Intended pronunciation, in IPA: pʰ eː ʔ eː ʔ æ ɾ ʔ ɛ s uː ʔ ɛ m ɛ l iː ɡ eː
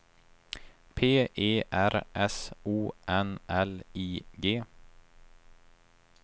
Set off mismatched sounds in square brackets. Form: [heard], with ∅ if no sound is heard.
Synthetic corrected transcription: pʰ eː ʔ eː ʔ æ ɾ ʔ ɛ s uː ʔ ɛ [n] ɛ l iː ɡ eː